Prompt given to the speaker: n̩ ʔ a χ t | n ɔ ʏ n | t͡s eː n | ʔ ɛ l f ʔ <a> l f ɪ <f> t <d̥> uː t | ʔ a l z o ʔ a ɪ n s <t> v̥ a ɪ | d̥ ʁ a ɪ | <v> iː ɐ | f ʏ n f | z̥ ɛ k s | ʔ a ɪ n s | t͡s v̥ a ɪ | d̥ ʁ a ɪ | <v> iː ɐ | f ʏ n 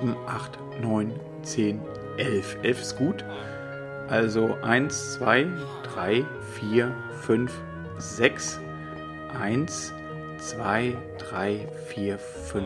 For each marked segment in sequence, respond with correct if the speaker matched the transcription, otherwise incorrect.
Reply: incorrect: ɛ, incorrect: s, incorrect: ɡ̥, incorrect: t͡s, incorrect: f, incorrect: f

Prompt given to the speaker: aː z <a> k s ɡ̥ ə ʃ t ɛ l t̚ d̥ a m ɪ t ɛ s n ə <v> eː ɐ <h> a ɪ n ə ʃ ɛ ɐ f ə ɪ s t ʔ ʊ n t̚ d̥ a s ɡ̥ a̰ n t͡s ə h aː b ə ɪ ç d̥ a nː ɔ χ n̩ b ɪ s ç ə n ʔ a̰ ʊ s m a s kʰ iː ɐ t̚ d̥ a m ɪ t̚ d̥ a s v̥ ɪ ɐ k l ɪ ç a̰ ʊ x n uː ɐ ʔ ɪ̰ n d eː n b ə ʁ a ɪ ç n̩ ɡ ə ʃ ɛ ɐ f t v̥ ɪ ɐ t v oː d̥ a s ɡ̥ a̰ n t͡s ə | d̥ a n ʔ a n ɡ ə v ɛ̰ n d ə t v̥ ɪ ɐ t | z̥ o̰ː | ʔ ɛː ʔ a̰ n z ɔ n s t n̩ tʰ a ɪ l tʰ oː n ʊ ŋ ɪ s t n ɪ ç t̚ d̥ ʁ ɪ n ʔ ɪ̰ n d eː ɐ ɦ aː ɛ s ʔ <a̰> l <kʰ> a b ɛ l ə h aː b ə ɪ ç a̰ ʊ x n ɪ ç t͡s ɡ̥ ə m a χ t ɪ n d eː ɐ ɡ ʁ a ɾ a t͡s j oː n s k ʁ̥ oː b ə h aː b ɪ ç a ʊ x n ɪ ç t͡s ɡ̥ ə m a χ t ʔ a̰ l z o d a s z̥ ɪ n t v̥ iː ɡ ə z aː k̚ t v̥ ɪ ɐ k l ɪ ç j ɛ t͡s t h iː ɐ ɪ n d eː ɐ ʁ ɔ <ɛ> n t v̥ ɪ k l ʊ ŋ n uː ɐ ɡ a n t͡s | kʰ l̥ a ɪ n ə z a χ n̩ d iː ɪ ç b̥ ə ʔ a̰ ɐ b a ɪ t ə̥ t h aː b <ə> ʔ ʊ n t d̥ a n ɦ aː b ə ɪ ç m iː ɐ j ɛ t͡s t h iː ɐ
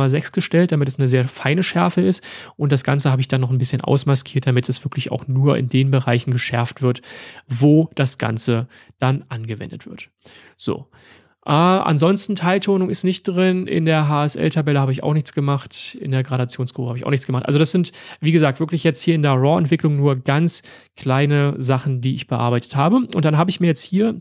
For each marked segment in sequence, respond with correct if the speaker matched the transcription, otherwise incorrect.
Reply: incorrect: ɛ, incorrect: z, incorrect: f, incorrect: ɛ̰, incorrect: tʰ, correct, correct

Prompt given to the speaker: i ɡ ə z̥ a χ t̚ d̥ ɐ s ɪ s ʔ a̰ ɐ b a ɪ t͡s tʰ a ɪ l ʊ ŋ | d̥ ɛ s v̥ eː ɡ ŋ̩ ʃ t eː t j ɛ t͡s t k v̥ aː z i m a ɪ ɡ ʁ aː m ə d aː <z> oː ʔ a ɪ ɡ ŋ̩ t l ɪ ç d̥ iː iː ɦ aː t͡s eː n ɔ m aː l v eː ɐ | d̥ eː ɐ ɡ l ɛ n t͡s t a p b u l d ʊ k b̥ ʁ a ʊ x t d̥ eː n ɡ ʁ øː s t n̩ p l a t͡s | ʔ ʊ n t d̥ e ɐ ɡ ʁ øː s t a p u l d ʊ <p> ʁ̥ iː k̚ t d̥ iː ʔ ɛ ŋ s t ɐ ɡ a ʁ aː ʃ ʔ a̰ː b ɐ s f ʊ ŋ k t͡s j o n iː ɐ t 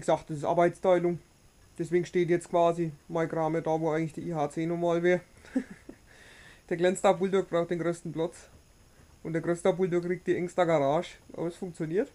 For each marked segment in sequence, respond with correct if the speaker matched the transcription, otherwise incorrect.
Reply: incorrect: v, incorrect: k

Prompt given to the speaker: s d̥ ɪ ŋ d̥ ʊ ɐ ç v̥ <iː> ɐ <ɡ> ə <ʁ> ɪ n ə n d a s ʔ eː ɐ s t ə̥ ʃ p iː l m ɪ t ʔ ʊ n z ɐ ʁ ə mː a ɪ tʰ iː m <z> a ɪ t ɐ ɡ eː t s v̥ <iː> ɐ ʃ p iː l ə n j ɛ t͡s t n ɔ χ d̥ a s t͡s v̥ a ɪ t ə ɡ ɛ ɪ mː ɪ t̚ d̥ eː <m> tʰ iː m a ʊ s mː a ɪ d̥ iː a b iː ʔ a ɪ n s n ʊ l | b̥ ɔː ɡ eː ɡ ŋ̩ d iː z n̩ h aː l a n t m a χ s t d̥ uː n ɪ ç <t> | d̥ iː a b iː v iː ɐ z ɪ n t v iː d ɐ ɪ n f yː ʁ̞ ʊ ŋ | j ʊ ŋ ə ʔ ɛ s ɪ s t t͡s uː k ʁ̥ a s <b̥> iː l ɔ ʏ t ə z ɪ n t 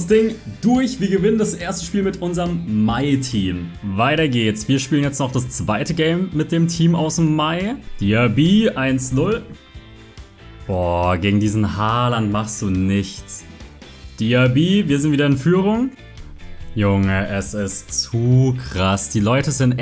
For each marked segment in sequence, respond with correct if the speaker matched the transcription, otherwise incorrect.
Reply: correct, correct, incorrect: v, incorrect: v, correct, correct, incorrect: t͡s, incorrect: d̥

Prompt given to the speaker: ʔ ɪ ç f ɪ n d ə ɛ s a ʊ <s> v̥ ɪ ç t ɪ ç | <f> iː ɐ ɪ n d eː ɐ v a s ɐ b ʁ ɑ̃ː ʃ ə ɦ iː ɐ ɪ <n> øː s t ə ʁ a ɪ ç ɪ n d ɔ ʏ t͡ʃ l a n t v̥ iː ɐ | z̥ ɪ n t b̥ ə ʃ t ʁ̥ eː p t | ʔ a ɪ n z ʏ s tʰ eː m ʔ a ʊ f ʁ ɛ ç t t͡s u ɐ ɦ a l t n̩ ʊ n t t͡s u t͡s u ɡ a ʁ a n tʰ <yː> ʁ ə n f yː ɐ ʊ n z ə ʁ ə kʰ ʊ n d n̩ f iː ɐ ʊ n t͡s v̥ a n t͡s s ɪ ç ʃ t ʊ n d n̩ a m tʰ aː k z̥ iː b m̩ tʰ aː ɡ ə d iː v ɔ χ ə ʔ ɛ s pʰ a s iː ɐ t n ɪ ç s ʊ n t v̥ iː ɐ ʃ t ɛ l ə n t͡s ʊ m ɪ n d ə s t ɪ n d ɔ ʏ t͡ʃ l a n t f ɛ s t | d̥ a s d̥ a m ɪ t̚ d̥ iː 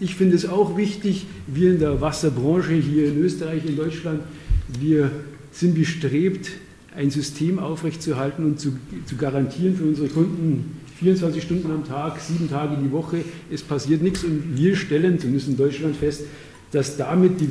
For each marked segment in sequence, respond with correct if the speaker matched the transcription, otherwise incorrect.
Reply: incorrect: x, incorrect: v, correct, incorrect: iː

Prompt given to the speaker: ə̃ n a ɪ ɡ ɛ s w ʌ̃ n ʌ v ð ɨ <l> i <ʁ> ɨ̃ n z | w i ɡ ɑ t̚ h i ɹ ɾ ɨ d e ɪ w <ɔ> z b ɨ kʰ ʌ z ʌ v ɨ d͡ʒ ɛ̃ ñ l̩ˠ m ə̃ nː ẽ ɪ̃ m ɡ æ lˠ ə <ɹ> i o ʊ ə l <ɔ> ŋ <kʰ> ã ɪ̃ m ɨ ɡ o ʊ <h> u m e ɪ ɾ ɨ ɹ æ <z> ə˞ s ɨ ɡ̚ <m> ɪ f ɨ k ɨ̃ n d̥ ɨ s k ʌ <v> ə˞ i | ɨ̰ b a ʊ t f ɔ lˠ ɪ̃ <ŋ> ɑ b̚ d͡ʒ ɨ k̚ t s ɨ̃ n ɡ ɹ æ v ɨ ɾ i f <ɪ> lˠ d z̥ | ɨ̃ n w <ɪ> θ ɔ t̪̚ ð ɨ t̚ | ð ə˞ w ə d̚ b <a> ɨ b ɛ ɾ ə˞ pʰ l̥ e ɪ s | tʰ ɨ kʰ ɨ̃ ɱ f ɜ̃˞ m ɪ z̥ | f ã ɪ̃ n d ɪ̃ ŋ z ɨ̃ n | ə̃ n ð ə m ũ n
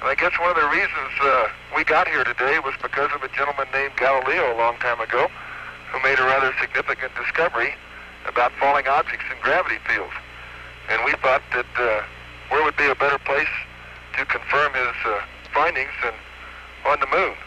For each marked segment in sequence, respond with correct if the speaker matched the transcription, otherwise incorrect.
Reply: incorrect: ɹ, incorrect: z, incorrect: ʌ, incorrect: l, incorrect: ɔ̃, incorrect: tʰ, correct, incorrect: ð, incorrect: n, correct, correct, incorrect: i, incorrect: i, incorrect: i

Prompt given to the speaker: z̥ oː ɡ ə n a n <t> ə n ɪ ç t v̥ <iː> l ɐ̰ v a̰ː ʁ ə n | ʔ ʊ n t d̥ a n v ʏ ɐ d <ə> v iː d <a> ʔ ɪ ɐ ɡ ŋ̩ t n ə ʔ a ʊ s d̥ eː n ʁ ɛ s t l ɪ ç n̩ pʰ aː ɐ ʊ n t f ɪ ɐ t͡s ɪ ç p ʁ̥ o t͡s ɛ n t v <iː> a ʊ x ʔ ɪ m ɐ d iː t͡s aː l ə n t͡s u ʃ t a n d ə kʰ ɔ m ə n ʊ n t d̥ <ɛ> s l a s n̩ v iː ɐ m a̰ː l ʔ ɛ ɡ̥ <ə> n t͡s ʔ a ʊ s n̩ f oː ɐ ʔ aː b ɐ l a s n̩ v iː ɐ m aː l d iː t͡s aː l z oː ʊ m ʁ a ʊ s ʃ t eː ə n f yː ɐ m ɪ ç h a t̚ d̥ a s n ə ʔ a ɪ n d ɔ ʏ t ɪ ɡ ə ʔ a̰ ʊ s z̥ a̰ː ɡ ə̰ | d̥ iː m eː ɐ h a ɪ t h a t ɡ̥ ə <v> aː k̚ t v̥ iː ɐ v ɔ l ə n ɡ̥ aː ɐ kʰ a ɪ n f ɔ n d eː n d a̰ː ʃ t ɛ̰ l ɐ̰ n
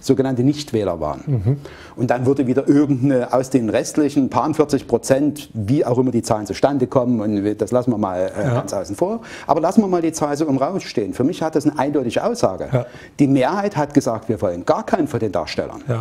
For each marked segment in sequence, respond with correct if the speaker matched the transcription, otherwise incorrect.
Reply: correct, incorrect: ɛː, correct, incorrect: ɐ, correct, incorrect: a, incorrect: a, incorrect: z

